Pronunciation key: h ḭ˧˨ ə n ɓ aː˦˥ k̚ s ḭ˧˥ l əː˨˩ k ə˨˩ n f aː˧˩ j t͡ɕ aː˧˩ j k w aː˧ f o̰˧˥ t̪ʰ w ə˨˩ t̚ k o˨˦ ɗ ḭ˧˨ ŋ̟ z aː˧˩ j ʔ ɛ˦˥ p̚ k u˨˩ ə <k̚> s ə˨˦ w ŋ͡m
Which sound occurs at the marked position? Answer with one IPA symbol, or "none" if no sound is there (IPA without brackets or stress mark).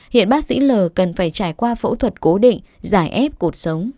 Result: t̚